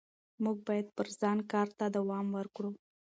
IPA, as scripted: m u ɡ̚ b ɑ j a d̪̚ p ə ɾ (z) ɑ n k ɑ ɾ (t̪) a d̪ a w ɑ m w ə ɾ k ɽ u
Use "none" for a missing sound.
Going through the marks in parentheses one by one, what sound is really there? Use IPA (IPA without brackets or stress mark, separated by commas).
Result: z, t̪